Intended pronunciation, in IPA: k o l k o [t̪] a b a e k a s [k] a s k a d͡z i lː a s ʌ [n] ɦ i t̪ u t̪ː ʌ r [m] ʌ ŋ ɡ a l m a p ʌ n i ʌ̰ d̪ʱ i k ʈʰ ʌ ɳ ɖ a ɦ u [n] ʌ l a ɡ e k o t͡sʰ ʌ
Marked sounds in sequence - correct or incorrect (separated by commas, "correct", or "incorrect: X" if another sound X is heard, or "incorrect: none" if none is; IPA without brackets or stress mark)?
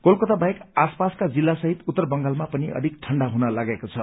correct, incorrect: p, incorrect: none, incorrect: b, correct